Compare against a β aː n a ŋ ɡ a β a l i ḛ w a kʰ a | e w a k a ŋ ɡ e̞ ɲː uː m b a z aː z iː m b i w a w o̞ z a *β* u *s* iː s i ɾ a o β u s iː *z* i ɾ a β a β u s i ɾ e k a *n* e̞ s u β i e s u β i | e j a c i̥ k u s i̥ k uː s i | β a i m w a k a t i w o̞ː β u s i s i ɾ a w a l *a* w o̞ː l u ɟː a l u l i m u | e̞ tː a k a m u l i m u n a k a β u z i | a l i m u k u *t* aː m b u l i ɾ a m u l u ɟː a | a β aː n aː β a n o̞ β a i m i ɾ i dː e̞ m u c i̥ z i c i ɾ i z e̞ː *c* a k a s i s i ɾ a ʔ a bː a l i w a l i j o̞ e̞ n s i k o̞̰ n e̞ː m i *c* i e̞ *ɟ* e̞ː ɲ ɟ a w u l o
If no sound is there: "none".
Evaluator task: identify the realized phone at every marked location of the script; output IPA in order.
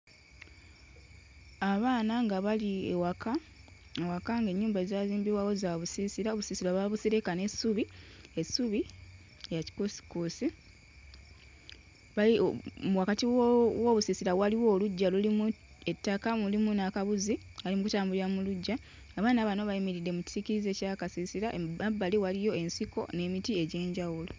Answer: β, s, s, n, i, t, c, t, ɟ

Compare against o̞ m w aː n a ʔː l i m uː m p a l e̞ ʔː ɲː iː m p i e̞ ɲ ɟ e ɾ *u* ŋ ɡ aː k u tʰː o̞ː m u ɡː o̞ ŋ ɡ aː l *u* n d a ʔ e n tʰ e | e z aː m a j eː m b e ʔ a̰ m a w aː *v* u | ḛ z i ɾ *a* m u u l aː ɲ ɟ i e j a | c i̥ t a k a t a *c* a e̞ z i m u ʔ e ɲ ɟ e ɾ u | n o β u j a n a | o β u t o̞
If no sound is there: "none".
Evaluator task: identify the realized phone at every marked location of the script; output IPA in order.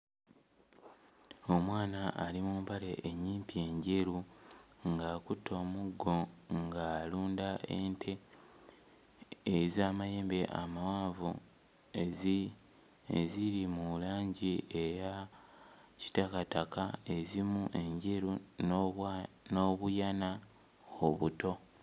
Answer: u, uː, v, i, k

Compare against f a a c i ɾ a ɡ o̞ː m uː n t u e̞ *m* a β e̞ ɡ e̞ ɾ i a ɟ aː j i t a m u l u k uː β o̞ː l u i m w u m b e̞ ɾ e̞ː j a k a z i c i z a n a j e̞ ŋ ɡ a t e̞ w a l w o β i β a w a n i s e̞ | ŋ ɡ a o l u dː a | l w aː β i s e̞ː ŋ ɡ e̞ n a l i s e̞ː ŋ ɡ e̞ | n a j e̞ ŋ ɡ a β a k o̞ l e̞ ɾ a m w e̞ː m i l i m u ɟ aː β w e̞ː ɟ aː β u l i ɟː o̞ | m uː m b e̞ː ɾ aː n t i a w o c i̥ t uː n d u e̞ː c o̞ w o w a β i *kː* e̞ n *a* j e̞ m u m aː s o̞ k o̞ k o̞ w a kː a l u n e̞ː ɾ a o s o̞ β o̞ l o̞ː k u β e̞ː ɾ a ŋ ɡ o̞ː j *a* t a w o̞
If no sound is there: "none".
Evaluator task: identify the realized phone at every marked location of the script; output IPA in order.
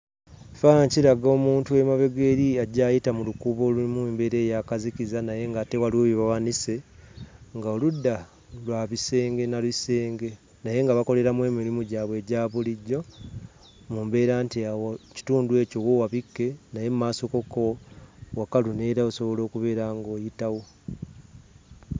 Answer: m, kː, a, i

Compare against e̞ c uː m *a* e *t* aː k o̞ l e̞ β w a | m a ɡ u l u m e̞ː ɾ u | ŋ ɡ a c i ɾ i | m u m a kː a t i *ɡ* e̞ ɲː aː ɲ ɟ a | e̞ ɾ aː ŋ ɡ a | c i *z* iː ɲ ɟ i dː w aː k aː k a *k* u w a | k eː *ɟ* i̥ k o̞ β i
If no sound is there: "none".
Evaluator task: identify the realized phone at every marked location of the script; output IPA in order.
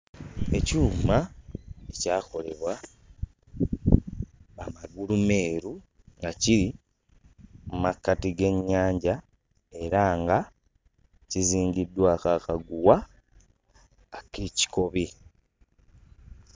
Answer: a, c, ɡ, z, ɡ, c

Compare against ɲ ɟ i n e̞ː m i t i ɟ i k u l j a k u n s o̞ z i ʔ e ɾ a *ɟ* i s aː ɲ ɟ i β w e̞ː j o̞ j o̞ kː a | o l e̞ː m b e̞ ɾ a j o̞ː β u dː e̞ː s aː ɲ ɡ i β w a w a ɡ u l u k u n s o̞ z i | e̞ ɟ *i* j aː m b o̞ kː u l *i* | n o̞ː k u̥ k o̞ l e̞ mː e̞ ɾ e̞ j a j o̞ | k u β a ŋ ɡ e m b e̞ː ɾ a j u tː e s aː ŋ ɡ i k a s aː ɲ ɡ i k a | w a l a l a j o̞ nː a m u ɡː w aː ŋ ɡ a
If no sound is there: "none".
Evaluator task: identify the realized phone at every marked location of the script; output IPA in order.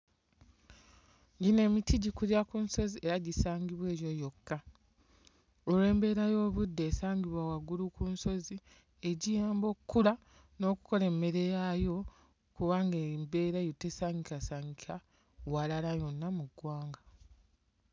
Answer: ɟ, i, a

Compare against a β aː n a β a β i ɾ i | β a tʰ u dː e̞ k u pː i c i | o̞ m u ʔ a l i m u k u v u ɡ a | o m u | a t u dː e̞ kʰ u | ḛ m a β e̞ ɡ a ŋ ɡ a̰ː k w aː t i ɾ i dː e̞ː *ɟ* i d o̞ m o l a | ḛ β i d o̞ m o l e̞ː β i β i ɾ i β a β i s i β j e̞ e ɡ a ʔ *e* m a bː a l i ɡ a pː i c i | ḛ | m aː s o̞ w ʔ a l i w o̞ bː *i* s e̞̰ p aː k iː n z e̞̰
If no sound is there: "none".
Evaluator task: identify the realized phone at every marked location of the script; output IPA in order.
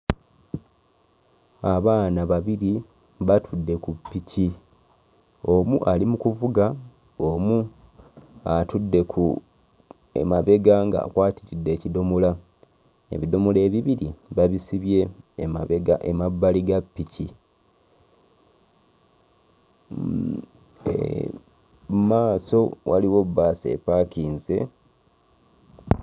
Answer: c, e, a

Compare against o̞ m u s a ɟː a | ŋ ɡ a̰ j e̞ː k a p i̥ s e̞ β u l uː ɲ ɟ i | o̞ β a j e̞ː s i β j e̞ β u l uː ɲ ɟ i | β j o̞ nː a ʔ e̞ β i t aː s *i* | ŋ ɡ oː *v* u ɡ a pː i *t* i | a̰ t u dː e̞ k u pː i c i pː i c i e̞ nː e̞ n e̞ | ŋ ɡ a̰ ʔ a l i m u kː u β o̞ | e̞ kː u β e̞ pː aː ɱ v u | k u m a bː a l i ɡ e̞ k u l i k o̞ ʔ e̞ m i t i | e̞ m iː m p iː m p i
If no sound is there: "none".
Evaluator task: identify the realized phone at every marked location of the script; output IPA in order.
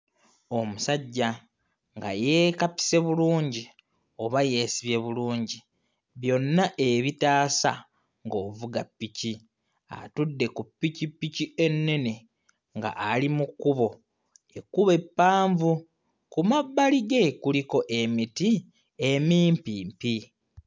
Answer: a, v, c

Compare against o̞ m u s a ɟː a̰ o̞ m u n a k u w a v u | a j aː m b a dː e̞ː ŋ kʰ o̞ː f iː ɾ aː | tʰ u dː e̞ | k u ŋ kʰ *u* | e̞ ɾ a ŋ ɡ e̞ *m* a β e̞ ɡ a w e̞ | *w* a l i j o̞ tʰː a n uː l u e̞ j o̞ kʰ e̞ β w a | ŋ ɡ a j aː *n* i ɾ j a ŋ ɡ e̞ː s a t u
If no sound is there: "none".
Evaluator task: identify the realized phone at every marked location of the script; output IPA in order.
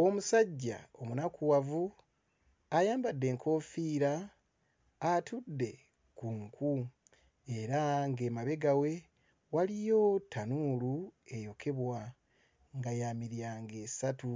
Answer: u, m, w, m

